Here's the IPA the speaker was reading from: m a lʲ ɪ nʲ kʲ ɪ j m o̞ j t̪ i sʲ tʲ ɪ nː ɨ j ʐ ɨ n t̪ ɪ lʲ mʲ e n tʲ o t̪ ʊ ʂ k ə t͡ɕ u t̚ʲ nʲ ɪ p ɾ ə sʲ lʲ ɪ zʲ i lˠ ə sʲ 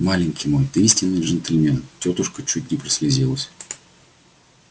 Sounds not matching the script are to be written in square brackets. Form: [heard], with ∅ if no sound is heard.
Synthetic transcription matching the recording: m a lʲ ɪ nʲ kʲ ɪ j m o̞ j t̪ i sʲ tʲ ɪ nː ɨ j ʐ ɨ n t̪ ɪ lʲ mʲ e n tʲ o t̪ ʊ ʂ k ə t͡ɕ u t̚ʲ nʲ ɪ p ɾ ə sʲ lʲ ɪ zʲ i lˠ ə sʲ

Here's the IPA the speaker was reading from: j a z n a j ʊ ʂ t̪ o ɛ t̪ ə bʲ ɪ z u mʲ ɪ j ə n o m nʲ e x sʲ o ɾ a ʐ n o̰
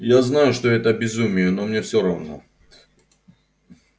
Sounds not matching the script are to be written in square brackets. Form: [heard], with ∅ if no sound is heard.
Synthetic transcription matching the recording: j a z n a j ʊ ʂ t̪ o ɛ t̪ ə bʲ ɪ z u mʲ ɪ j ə n o m nʲ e [f] sʲ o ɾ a [v] n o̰

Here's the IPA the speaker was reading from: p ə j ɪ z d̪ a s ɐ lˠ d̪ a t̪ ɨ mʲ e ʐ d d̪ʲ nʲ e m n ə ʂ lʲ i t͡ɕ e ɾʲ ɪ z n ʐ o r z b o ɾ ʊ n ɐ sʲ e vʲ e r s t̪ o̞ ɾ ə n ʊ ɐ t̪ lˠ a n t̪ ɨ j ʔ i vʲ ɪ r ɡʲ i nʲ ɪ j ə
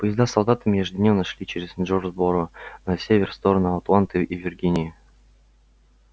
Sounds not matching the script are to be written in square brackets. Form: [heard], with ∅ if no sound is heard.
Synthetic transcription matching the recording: p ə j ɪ z d̪ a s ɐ lˠ d̪ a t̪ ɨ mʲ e ʐ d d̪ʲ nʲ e m n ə ʂ lʲ i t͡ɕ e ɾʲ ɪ z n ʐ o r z b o ɾ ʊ n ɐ sʲ e vʲ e r s t̪ o̞ ɾ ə n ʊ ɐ t̪ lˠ a n t̪ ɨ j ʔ i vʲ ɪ r ɡʲ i nʲ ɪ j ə

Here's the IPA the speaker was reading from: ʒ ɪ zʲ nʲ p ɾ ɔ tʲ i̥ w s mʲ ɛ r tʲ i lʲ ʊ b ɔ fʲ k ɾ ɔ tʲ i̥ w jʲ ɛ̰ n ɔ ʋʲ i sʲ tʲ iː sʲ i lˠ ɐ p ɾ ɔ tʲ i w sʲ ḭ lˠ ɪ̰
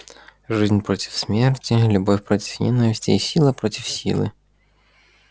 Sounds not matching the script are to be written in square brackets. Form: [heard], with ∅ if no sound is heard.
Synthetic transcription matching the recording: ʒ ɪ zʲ nʲ p ɾ ɔ tʲ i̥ w s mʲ ɛ r tʲ i lʲ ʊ b ɔ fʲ [p] ɾ ɔ tʲ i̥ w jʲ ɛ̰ n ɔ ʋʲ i sʲ tʲ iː sʲ i lˠ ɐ p ɾ ɔ tʲ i w sʲ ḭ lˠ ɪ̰

